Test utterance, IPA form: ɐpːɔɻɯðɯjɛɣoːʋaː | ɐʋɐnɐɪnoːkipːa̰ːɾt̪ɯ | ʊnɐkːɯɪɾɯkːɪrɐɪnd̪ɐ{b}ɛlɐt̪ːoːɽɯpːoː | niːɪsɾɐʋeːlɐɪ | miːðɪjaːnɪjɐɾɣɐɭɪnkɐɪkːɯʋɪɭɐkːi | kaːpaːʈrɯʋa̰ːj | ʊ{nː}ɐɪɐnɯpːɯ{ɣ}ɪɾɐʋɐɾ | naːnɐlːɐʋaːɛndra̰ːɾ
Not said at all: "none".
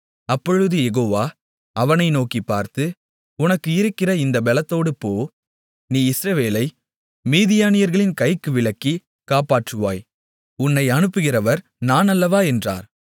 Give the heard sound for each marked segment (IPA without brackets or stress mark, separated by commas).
b, nː, ɣ